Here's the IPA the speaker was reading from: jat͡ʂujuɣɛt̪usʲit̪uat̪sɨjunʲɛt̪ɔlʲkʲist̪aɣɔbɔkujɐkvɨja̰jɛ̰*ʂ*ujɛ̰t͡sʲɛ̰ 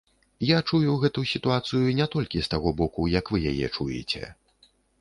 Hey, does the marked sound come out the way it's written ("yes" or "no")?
no